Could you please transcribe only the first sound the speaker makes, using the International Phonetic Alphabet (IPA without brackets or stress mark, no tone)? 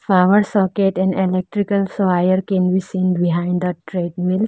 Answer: f